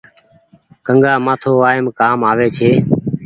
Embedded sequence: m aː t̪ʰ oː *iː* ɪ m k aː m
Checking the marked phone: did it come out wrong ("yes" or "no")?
yes